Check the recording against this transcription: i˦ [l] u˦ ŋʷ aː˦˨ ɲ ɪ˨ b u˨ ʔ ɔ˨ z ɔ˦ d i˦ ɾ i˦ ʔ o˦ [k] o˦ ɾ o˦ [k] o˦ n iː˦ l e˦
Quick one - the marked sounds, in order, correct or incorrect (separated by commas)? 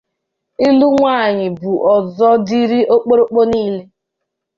correct, incorrect, incorrect